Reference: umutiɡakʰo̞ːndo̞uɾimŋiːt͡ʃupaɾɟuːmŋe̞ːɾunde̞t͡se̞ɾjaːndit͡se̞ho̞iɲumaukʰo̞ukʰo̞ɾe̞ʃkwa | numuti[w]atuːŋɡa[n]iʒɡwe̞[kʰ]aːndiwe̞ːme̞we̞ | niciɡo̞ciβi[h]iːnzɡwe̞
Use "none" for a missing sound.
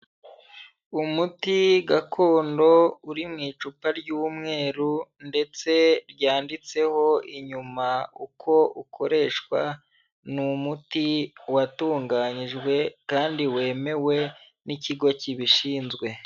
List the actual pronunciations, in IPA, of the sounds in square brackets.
w, ɲ, k, ʃ

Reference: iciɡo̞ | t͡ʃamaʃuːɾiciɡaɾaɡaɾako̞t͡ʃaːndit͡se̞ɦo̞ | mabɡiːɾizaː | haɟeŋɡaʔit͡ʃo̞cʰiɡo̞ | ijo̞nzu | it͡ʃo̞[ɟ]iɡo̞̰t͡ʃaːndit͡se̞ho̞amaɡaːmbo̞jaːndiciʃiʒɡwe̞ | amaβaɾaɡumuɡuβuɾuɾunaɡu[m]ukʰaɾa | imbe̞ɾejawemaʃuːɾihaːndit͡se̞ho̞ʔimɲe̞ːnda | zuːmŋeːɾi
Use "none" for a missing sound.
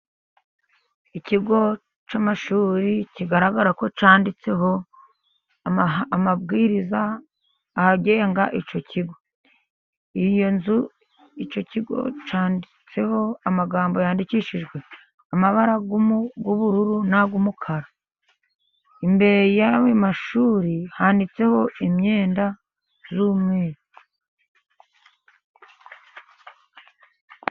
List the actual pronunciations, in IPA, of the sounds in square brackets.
c, m

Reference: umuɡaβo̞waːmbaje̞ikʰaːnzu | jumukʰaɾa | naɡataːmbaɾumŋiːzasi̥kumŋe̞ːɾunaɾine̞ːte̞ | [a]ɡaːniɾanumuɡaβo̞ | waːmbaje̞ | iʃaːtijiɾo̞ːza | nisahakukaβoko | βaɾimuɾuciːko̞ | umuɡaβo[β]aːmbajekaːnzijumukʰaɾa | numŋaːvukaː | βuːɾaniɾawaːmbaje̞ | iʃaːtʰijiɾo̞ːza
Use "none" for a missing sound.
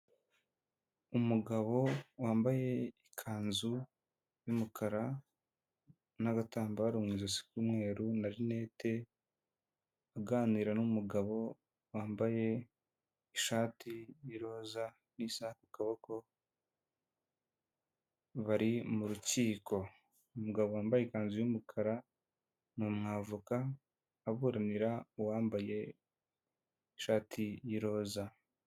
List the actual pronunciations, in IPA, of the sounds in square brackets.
a, w

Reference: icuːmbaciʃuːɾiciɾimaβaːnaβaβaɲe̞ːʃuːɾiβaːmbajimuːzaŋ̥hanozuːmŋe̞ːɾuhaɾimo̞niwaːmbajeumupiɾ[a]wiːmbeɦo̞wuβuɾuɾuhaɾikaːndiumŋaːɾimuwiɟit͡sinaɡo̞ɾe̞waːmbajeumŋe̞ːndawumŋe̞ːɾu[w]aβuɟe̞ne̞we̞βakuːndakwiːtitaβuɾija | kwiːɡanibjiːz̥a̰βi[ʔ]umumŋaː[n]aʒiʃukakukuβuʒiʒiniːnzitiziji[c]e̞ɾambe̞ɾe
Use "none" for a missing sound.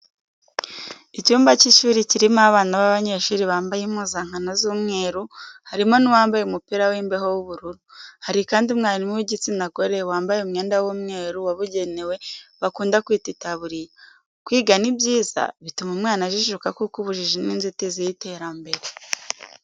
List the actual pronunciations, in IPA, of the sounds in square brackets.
a, w, t, n, t

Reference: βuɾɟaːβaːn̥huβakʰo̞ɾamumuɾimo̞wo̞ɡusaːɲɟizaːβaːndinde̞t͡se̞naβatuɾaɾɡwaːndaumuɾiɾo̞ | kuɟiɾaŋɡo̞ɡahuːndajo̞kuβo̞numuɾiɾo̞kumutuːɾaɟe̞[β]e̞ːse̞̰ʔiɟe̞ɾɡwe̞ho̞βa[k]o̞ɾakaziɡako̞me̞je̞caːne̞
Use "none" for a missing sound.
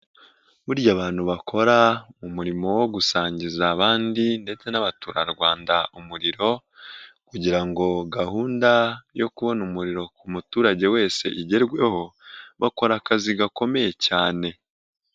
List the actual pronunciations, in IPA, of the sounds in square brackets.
w, k

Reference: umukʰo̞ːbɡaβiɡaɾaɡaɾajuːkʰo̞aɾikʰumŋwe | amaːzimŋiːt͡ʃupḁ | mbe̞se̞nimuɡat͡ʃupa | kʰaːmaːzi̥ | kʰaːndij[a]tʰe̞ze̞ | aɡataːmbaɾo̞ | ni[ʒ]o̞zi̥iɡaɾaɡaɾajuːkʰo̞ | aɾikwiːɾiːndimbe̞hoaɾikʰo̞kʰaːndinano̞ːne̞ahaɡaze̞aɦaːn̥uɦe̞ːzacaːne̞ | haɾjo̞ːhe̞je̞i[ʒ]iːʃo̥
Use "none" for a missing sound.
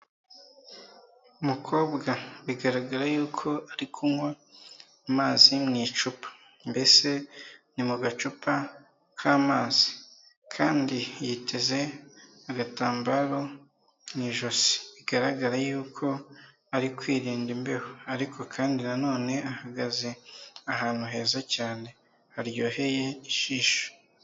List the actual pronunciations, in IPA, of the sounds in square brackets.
i, ʒ, ʃ

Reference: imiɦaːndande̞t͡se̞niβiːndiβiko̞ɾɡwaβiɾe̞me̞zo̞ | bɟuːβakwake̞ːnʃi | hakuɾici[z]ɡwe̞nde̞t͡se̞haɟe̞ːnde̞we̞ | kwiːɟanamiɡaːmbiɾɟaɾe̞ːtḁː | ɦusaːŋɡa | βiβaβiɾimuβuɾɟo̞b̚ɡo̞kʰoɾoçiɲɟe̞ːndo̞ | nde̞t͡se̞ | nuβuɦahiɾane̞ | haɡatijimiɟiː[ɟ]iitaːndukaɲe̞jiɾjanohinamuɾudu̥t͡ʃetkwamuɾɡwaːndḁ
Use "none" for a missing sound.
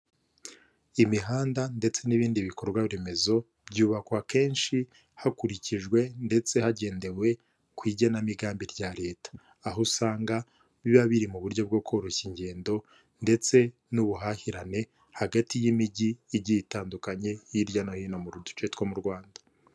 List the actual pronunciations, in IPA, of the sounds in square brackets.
ʒ, ɟ

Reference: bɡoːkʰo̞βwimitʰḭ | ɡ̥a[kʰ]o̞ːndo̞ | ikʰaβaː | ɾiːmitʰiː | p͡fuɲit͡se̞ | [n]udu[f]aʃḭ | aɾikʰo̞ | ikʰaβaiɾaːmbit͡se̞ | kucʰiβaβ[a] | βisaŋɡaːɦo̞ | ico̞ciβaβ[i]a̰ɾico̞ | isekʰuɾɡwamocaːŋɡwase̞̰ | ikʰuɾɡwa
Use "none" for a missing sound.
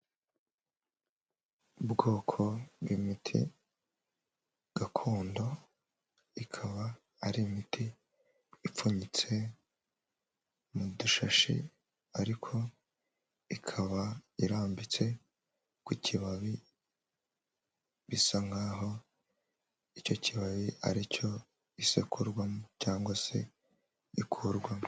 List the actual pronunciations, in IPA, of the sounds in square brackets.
kʰ, m, ʃ, i, i

